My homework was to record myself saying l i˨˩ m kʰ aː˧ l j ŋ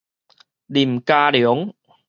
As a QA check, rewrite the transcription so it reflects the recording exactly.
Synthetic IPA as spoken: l i˨˩ m k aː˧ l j ŋ